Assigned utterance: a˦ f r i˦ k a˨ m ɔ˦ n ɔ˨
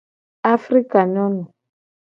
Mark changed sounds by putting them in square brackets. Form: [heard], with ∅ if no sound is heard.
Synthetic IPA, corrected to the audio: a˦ f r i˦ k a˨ [n] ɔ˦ n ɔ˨